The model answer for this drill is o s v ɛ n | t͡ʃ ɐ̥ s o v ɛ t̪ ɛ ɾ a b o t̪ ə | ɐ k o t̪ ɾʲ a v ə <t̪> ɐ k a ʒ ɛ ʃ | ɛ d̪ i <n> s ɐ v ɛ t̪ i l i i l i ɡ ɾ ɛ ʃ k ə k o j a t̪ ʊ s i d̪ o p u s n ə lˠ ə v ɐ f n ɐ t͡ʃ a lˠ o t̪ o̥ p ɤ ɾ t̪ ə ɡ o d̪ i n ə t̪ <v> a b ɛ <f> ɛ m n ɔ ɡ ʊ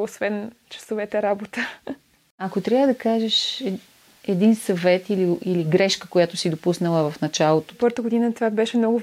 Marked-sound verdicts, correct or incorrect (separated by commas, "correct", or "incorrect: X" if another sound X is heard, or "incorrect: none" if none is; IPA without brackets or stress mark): incorrect: d̪, correct, correct, incorrect: ʃ